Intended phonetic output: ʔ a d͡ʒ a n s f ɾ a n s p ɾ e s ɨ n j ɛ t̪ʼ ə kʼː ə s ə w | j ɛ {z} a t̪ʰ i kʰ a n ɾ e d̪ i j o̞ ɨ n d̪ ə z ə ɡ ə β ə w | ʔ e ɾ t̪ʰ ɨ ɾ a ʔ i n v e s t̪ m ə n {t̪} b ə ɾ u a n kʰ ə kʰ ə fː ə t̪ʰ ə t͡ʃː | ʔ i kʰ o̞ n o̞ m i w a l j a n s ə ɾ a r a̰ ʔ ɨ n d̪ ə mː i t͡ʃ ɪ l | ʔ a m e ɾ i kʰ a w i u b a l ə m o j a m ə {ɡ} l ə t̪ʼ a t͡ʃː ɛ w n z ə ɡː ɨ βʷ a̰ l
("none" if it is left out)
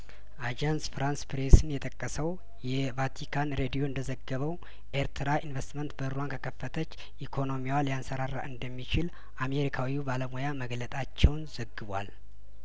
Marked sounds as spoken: v, t̪, ɡ

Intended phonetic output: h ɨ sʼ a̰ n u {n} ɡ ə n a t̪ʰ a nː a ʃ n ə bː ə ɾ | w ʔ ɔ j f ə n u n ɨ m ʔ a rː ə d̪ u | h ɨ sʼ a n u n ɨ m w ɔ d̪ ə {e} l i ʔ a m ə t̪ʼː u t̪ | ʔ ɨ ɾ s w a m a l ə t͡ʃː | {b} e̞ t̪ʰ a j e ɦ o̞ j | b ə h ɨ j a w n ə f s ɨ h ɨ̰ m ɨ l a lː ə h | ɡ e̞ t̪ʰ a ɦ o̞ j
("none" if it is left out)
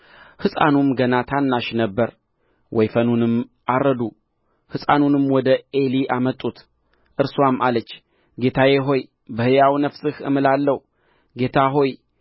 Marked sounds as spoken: m, e, ɡ

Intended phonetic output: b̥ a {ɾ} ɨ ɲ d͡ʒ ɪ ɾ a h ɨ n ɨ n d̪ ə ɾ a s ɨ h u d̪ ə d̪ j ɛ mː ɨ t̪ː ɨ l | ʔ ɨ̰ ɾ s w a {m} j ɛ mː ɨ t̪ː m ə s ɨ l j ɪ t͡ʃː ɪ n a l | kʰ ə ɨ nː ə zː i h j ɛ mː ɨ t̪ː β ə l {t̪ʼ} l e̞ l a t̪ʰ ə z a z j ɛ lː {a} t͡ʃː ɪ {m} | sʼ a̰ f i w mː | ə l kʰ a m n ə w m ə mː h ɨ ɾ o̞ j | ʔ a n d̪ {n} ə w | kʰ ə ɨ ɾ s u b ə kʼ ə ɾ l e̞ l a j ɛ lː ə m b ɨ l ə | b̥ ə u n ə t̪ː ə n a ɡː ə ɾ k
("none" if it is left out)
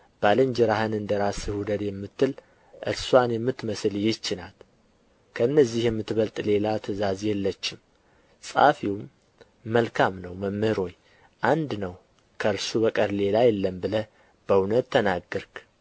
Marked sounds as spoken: l, n, t̪ʼ, ə, m, n

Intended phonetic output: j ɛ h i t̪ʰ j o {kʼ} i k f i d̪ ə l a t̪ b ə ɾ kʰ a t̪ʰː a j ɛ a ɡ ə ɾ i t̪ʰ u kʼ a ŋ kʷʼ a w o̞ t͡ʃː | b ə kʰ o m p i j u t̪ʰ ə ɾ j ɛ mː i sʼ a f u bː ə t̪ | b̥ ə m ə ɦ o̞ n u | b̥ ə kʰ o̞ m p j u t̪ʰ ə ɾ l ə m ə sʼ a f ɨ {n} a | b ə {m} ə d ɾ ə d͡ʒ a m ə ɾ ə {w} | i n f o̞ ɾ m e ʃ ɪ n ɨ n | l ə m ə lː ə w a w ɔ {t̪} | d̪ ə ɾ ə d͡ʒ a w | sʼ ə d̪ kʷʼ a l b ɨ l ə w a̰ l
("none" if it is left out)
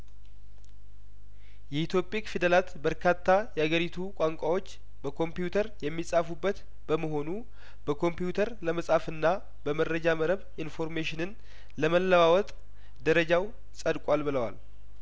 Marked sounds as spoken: pʼ, nː, m, β, t̪ʼ

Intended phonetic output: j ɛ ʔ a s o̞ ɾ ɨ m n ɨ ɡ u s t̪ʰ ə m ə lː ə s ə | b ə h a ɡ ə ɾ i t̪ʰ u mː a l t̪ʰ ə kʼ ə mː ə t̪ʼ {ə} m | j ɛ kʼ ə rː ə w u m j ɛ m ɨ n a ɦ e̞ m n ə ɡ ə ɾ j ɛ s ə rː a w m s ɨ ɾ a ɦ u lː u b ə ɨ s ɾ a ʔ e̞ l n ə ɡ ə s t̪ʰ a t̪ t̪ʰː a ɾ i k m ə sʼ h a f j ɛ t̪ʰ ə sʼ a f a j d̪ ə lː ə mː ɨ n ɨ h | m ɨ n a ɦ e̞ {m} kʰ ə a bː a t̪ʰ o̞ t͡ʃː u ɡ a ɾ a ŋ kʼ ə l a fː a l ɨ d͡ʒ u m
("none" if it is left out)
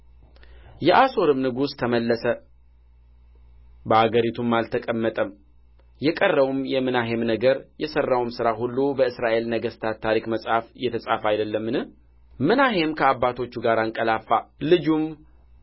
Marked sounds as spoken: ə, m

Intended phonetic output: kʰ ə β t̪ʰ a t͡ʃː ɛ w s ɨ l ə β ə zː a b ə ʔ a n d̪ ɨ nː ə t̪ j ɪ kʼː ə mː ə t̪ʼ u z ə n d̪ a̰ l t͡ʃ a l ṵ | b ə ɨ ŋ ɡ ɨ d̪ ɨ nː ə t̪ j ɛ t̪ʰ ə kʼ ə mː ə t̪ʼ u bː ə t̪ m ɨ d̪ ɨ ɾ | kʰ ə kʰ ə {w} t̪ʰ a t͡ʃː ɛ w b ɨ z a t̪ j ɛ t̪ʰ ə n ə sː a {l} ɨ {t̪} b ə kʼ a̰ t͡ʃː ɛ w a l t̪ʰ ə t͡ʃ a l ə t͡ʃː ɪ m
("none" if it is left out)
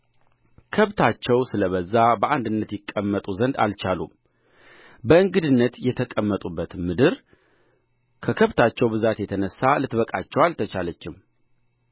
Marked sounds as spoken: β, l, t̪

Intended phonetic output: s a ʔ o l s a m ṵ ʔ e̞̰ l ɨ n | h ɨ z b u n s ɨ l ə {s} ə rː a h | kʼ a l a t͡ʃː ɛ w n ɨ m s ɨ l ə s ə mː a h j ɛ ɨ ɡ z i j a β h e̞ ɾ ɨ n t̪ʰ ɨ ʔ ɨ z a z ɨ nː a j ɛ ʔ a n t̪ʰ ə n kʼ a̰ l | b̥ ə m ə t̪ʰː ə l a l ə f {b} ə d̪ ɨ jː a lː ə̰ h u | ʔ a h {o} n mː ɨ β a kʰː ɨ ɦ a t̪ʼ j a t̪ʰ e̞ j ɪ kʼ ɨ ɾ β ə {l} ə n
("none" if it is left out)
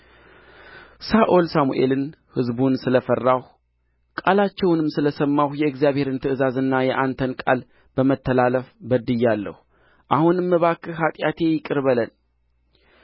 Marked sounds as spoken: f, b, u, l

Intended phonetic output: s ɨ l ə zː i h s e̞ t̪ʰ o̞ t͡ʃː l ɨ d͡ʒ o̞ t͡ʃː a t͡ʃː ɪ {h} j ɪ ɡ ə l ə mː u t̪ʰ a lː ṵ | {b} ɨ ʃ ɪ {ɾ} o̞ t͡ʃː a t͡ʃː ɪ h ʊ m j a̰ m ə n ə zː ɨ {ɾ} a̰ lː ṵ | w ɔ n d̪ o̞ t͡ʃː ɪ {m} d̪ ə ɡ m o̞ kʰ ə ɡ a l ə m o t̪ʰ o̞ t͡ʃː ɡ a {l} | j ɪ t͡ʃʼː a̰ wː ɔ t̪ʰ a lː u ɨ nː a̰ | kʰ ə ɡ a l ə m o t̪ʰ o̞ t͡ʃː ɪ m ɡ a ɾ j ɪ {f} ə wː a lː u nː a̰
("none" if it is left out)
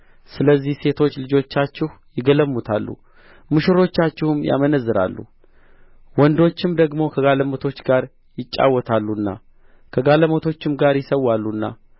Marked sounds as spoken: h, m, ɾ, ɾ, m, ɾ, s

